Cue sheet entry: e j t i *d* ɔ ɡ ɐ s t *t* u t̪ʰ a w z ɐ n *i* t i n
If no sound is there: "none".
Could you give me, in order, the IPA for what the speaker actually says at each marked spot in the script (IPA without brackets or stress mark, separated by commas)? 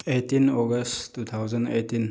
n, t, e